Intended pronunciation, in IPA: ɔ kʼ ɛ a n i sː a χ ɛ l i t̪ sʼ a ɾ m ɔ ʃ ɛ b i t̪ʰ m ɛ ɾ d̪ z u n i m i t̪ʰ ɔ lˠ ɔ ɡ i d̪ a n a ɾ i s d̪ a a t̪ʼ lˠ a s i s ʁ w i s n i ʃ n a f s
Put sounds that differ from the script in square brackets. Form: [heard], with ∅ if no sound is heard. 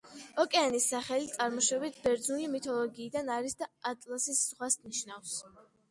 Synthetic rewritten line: ɔ kʼ ɛ a n i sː a χ ɛ l i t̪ sʼ a ɾ m ɔ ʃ ɛ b i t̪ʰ [b] ɛ ɾ d̪ z u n i m i t̪ʰ ɔ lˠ ɔ ɡ [iː] d̪ a n a ɾ i s d̪ a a t̪ʼ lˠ a s i s ʁ w [a] s n i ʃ n a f s